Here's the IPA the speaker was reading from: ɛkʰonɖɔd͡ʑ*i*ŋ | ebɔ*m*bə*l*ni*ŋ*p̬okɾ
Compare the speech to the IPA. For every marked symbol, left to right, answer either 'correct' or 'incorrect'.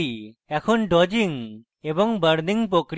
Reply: correct, incorrect: ŋ, incorrect: ɾ, correct

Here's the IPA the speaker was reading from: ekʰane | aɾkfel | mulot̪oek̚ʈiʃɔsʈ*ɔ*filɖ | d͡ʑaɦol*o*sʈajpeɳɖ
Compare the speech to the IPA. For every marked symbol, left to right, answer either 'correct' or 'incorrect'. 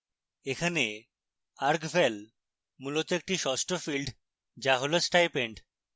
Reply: incorrect: o, correct

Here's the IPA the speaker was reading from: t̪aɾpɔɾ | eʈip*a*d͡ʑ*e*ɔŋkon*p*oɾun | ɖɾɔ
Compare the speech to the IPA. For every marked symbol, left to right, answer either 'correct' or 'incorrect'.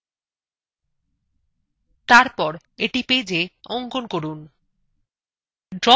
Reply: incorrect: e, correct, incorrect: k

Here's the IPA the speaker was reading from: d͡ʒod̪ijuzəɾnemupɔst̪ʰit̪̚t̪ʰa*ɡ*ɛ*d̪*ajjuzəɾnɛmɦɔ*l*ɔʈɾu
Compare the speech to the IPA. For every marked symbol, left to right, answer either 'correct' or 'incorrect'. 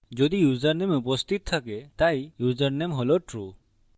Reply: incorrect: k, incorrect: t̪, correct

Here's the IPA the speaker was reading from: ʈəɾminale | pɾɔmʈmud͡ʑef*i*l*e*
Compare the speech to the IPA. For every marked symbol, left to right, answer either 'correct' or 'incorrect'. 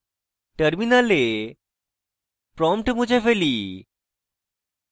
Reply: incorrect: e, incorrect: i

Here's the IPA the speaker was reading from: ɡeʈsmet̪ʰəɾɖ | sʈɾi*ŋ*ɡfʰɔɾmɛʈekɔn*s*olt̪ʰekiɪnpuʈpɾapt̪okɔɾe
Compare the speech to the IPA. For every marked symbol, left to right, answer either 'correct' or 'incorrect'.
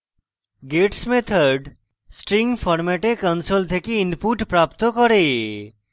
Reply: correct, correct

